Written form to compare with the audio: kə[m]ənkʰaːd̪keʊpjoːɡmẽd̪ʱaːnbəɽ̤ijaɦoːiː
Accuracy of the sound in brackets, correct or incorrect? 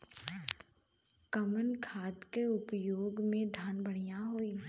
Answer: correct